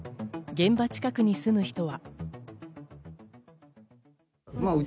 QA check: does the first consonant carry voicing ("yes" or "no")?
yes